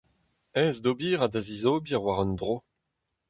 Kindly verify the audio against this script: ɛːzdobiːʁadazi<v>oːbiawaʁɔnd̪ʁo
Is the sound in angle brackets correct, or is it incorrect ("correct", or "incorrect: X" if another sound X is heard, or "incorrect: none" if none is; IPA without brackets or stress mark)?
incorrect: z